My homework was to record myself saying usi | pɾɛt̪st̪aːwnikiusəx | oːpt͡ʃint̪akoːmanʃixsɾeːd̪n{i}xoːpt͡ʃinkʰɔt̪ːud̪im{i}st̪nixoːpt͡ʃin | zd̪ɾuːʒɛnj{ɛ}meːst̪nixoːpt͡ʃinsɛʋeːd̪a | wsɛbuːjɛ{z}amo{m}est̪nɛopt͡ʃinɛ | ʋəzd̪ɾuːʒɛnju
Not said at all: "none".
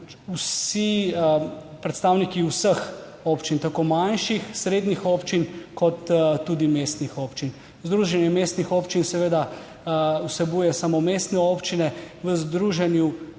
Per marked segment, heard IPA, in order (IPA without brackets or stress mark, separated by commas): i, e, ɛ, s, m